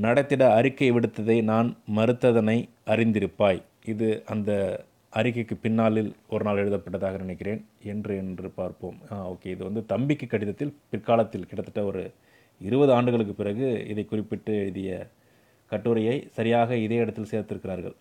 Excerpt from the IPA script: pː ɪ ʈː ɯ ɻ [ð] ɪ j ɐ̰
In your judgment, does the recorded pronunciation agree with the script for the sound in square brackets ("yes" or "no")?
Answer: yes